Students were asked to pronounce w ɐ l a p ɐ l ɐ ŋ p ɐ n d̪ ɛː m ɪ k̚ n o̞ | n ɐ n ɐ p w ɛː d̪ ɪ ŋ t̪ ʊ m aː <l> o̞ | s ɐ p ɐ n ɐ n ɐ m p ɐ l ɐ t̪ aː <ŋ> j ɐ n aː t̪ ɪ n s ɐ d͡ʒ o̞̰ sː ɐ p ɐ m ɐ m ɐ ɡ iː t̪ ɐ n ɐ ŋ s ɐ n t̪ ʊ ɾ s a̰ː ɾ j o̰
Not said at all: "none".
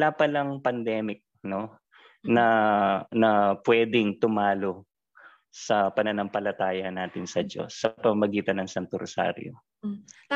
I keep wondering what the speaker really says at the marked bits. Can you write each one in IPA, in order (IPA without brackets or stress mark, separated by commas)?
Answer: l, none